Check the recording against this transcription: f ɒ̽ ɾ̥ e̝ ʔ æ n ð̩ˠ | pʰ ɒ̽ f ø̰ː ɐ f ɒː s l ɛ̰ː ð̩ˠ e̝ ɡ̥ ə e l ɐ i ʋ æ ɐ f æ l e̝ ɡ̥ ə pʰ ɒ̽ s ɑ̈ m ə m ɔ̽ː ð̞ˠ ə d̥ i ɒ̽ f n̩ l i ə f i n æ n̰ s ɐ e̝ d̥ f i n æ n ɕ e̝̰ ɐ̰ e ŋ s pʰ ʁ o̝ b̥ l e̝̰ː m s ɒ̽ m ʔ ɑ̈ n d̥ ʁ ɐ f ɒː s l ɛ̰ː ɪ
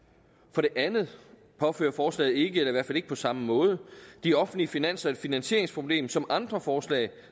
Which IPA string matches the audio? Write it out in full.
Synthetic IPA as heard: f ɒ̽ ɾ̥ e̝ ʔ æ n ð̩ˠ | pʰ ɒ̽ f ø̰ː ɐ f ɒː s l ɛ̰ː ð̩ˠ e̝ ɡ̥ ə e l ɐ i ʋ æ ɐ f æ l e̝ ɡ̥ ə pʰ ɒ̽ s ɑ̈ m ə m ɔ̽ː ð̞ˠ ə d̥ i ɒ̽ f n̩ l i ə f i n æ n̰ s ɐ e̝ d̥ f i n æ n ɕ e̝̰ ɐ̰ e ŋ s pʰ ʁ o̝ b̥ l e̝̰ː m s ɒ̽ m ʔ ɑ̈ n d̥ ʁ ɐ f ɒː s l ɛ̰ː ɪ